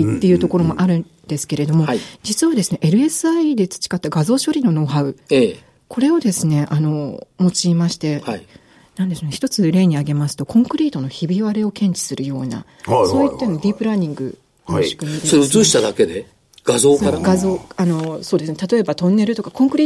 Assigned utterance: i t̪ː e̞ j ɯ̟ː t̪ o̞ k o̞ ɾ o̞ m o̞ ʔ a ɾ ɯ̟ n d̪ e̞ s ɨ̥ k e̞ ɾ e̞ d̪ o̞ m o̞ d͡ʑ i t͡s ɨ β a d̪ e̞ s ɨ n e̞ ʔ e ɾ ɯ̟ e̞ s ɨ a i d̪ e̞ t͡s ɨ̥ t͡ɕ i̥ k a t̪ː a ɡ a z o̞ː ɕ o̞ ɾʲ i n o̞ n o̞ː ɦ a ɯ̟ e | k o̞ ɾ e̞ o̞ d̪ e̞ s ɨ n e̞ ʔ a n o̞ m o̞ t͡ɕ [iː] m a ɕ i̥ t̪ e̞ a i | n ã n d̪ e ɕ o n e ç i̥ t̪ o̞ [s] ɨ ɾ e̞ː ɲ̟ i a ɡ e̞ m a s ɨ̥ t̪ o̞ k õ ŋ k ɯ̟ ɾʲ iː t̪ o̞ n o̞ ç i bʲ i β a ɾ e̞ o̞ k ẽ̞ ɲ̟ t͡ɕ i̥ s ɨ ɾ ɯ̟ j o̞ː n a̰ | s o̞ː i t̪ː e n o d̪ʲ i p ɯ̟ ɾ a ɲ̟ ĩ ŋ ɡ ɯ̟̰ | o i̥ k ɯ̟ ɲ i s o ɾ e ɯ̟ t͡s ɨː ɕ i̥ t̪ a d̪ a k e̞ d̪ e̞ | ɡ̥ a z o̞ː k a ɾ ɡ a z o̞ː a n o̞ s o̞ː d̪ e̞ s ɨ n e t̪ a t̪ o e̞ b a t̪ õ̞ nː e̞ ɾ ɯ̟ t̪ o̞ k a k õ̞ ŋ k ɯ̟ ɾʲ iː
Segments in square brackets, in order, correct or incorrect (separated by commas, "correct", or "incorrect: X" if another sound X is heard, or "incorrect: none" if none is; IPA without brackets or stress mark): correct, incorrect: t͡s